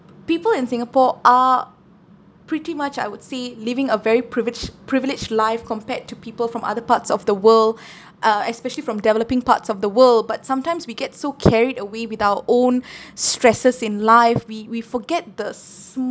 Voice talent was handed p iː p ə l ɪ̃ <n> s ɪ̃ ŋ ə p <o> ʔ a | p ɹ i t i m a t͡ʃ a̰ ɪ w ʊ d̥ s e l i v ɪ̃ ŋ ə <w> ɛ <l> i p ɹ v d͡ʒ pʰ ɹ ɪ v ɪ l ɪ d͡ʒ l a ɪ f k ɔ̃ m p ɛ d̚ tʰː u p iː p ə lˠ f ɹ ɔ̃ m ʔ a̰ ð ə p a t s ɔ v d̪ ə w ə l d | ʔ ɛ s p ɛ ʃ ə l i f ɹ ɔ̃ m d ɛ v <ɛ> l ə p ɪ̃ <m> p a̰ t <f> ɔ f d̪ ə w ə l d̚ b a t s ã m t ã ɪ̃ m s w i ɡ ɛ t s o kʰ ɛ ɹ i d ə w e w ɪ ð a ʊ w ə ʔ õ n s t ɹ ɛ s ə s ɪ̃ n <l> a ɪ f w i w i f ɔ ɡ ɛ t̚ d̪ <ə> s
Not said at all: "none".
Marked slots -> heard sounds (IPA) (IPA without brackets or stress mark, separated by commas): n, ɔ, v, ɹ, ɛ, ŋ, s, l, ə